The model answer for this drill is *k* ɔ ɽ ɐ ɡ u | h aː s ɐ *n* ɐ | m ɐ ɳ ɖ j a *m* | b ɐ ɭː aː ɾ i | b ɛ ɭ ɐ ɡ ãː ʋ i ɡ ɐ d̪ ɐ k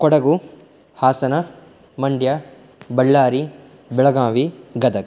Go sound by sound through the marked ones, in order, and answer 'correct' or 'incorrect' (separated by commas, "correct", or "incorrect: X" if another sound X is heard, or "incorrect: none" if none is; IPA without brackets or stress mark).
correct, correct, incorrect: none